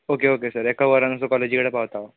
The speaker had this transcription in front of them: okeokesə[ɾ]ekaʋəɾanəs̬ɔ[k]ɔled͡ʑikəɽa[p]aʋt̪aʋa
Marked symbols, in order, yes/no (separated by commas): yes, yes, yes